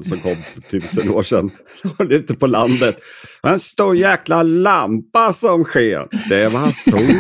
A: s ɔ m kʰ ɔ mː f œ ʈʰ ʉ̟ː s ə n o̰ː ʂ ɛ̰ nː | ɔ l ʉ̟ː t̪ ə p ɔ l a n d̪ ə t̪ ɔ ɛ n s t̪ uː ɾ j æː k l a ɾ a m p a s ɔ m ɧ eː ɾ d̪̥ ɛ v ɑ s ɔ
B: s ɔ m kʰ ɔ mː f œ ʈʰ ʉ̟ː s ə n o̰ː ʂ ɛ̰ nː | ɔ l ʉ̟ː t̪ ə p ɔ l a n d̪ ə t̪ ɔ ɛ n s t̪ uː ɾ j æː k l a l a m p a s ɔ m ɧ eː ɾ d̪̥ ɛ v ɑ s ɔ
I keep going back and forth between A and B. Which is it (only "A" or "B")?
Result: B